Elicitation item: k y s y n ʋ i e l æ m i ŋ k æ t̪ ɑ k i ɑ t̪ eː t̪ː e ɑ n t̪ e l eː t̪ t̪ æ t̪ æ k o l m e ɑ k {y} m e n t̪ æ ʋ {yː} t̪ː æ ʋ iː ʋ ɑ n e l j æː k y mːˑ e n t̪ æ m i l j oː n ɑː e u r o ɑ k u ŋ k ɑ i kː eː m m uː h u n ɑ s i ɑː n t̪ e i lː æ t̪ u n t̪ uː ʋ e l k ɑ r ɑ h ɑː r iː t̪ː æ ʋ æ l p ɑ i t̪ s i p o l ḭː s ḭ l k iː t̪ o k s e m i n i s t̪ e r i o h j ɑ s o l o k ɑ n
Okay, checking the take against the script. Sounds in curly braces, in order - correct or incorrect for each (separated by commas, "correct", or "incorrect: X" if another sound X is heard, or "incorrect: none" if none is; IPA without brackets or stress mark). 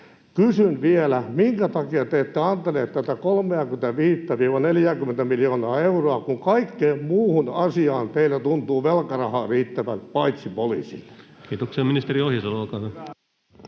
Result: correct, incorrect: iː